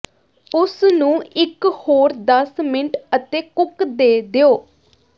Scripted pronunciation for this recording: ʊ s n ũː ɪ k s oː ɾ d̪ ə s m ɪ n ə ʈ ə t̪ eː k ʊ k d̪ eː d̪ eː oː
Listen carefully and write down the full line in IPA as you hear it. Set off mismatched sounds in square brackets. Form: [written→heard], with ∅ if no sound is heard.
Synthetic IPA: ʊ s n ũː ɪ k [s→h] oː ɾ d̪ ə s m ɪ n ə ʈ ə t̪ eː k ʊ k d̪ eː d̪ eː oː